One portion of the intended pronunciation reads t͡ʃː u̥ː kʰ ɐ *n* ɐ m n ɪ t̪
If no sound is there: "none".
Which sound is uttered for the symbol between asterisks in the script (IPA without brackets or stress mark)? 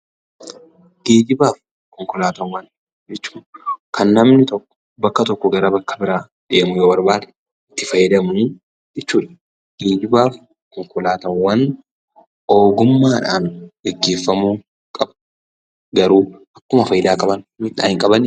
nː